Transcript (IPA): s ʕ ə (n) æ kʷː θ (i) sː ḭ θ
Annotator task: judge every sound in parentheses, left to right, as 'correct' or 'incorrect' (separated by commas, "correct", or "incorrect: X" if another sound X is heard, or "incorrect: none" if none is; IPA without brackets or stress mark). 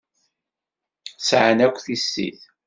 correct, correct